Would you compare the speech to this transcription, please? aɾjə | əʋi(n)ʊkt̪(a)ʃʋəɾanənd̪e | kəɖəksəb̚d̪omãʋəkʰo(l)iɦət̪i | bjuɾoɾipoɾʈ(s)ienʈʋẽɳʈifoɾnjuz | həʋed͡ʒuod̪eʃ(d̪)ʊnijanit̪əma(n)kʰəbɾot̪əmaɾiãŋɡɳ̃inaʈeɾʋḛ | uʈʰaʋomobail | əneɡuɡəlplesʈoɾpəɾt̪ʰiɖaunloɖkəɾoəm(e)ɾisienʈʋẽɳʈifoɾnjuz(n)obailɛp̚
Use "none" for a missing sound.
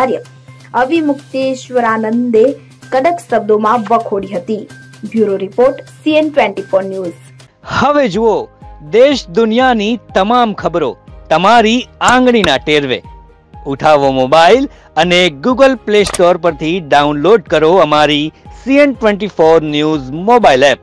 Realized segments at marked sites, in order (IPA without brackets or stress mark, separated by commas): m, e, ɽ, s, d̪, m, a, m